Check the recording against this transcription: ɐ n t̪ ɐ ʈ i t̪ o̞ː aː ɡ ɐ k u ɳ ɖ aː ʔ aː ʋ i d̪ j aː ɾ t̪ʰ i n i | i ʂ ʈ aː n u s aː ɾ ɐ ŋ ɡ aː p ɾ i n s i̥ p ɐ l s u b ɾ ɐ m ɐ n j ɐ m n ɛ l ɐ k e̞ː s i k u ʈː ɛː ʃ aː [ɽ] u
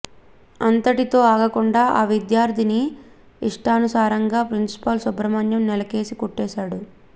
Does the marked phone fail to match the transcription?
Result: no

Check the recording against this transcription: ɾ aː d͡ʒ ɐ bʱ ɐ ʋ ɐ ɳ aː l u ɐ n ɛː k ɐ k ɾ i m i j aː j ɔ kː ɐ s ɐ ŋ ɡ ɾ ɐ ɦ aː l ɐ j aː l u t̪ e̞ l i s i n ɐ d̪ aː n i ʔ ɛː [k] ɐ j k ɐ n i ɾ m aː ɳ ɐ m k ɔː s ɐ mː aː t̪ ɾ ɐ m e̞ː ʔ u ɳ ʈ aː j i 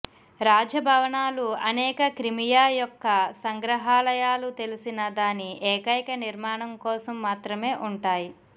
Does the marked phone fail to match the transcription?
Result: no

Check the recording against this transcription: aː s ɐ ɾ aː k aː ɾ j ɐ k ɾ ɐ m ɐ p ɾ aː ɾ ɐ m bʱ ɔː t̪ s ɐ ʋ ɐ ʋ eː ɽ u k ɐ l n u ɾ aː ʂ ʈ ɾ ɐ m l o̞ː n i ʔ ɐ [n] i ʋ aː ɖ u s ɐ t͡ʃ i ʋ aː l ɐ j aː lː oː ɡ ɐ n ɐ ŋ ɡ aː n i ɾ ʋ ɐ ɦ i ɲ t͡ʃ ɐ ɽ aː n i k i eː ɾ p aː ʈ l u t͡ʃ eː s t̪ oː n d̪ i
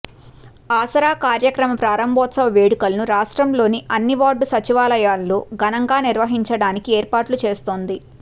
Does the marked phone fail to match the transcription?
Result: yes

